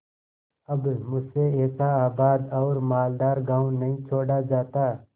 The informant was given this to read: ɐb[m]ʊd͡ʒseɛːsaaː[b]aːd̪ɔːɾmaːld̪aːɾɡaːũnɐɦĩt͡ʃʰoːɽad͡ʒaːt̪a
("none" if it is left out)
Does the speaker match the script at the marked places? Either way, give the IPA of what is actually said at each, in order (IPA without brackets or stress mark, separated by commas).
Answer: m, b